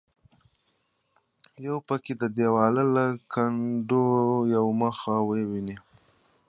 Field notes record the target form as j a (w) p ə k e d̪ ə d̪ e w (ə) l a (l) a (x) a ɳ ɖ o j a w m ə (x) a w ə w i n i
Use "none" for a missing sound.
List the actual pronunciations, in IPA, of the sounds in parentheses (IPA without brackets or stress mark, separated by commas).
w, ɑ, l, k, x